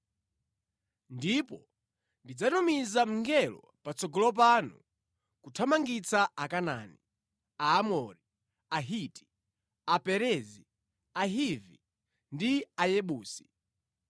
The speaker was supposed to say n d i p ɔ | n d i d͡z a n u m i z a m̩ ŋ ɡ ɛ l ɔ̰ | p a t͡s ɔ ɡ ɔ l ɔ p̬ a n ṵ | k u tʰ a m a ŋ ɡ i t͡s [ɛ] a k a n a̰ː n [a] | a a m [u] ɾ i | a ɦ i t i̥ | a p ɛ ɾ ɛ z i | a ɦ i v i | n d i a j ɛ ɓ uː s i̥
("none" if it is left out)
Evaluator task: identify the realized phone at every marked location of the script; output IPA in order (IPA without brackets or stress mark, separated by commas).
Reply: a, i, ɔ